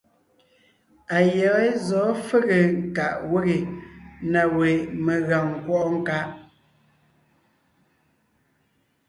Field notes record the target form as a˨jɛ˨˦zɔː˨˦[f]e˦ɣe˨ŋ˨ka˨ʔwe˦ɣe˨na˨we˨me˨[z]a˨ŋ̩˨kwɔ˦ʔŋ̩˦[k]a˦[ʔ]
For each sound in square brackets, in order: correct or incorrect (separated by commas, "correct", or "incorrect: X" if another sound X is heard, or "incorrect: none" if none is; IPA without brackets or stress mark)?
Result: correct, incorrect: ɣ, correct, correct